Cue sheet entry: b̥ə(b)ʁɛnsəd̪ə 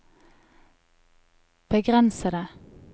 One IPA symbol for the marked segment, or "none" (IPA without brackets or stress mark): ɡ